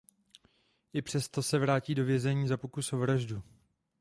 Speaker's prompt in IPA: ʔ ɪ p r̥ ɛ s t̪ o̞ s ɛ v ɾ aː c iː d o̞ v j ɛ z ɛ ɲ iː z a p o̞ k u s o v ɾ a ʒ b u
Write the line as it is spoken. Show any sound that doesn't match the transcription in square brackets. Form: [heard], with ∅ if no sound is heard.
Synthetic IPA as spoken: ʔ ɪ p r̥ ɛ s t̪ o̞ s ɛ v ɾ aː c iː d o̞ v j ɛ z ɛ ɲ iː z a p o̞ k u s o v ɾ a ʒ [d] u

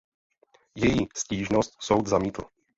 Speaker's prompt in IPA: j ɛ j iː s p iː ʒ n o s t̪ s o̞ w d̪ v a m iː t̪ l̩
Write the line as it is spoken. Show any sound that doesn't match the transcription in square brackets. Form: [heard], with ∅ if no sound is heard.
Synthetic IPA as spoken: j ɛ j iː s [c] iː ʒ n o s t̪ s o̞ w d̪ [z] a m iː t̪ l̩

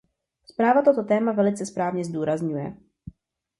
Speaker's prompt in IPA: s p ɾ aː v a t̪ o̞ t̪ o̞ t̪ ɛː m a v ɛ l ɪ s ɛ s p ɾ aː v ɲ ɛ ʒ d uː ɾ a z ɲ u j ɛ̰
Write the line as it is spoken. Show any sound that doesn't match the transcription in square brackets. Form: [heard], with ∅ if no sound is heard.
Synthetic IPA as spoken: s p ɾ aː v a t̪ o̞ t̪ o̞ t̪ ɛː m a v ɛ l ɪ [t͡s] ɛ s p ɾ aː v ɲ ɛ [z] d uː ɾ a z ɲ u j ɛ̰

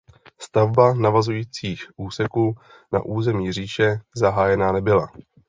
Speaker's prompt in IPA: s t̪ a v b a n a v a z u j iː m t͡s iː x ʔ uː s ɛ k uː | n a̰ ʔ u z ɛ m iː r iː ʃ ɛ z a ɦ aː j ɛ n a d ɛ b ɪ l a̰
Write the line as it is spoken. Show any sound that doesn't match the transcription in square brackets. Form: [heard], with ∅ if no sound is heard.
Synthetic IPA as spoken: s t̪ a v b a n a v a z u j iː [∅] t͡s iː x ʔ uː s ɛ k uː | n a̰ ʔ [uː] z ɛ m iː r iː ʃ ɛ z a ɦ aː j ɛ n a [n] ɛ b ɪ l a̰

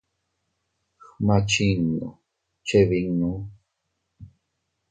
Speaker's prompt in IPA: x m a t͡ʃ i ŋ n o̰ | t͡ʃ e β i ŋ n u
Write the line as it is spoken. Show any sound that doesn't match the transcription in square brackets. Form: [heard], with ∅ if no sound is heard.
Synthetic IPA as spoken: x m a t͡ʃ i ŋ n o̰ | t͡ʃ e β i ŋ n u

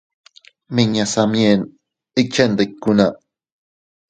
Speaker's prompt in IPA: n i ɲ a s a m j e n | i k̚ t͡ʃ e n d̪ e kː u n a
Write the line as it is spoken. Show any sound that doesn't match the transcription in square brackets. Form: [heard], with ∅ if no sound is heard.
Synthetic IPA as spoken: [m] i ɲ a s a m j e n | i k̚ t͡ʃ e n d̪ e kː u n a

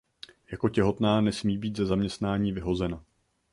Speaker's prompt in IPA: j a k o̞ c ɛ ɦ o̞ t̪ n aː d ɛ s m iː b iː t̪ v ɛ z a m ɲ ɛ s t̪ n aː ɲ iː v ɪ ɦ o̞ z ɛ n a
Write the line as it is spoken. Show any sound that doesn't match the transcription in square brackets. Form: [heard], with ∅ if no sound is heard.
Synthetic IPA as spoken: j a k o̞ c ɛ ɦ o̞ t̪ n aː [n] ɛ s m iː b iː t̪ [z] ɛ z a m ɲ ɛ s t̪ n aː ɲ iː v ɪ ɦ o̞ z ɛ n a

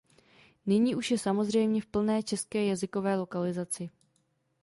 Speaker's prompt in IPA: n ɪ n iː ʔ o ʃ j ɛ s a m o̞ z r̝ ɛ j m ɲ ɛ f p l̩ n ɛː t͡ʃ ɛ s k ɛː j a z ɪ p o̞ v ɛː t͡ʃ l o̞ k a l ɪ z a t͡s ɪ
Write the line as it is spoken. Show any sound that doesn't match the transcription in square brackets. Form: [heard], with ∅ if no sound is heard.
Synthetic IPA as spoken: n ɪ [ɲ] iː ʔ [u] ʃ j ɛ s a m o̞ z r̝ ɛ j m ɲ ɛ f p l̩ n ɛː t͡ʃ ɛ s k ɛː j a z ɪ [k] o̞ v ɛː [∅] l o̞ k a l ɪ z a t͡s ɪ

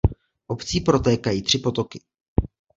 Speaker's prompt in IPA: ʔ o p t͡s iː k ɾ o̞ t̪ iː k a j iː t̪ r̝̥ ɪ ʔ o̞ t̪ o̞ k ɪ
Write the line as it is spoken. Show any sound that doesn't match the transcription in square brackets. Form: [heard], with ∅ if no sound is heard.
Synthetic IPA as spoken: ʔ o p t͡s iː [p] ɾ o̞ t̪ [ɛː] k a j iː t̪ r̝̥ ɪ [p] o̞ t̪ o̞ k ɪ

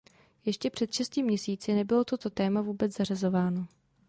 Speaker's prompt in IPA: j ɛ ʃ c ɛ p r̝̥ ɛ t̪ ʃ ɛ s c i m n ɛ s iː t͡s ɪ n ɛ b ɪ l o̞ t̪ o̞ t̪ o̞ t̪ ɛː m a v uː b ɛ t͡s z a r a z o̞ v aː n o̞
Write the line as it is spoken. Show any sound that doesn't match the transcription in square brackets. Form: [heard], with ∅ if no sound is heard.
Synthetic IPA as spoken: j ɛ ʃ c ɛ p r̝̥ ɛ t̪ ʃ ɛ s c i m [ɲ] ɛ s iː t͡s ɪ n ɛ b ɪ l o̞ t̪ o̞ t̪ o̞ t̪ ɛː m a v uː b ɛ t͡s z a r a z o̞ v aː n o̞

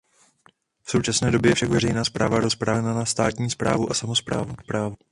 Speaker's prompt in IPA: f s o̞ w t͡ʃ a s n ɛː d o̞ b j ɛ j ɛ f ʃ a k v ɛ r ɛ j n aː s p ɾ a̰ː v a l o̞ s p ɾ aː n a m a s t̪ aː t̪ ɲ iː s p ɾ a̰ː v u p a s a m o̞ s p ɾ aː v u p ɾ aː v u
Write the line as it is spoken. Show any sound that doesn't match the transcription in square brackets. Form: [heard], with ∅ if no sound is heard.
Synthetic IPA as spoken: f s o̞ w t͡ʃ a s n ɛː d o̞ b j ɛ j ɛ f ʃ a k v ɛ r ɛ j n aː s p ɾ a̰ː v a [ɾ] o̞ s p ɾ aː n a [n] a s t̪ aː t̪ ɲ iː s p ɾ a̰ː v u [ʔ] a s a m o̞ s p ɾ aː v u p ɾ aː v u

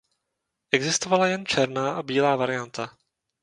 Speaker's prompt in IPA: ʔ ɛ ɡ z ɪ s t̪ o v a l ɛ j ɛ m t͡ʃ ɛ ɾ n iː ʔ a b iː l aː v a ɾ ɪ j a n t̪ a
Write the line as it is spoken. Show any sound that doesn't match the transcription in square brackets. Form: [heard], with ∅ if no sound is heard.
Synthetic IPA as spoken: ʔ ɛ ɡ z ɪ s t̪ o v a l [a] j ɛ [n] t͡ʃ ɛ ɾ n [aː] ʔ a b iː l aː v a ɾ ɪ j a n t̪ a

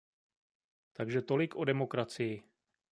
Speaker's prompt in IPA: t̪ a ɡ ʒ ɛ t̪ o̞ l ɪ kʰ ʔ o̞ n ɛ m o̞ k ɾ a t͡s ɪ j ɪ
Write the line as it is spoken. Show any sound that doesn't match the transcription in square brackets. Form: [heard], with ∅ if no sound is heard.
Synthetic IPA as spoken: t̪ a ɡ ʒ ɛ t̪ o̞ l ɪ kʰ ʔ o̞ [d] ɛ m o̞ k ɾ a t͡s ɪ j ɪ

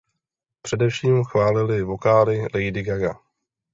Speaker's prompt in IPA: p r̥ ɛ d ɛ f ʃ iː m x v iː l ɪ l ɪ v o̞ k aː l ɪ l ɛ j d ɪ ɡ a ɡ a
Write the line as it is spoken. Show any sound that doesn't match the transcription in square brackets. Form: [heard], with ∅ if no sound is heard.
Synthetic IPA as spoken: p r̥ ɛ d ɛ f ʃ iː m x v [aː] l ɪ l ɪ v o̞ k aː l ɪ l ɛ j d ɪ ɡ a ɡ a

